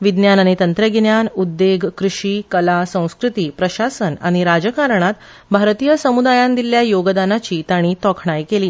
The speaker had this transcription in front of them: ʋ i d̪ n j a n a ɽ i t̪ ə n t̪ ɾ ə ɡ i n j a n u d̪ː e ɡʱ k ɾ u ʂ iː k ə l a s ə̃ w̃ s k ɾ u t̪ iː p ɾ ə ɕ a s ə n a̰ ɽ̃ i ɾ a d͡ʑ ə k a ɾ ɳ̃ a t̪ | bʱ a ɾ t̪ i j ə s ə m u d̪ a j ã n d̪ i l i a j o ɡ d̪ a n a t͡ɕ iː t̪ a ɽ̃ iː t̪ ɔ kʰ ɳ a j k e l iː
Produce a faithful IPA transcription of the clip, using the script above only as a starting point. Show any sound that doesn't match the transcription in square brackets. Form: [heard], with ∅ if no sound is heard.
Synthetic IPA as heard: ʋ i d̪ n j a n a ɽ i t̪ ə n t̪ ɾ ə ɡ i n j a n u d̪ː e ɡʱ k ɾ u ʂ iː k ə l a s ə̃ w̃ s k ɾ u t̪ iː p ɾ ə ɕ a s ə n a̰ ɽ̃ i ɾ a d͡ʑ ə k a ɾ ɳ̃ a t̪ | bʱ a ɾ t̪ i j ə s ə m u d̪ a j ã n d̪ i l [j] a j o ɡ d̪ a n a t͡ɕ iː t̪ a ɽ̃ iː t̪ ɔ kʰ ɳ a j k e l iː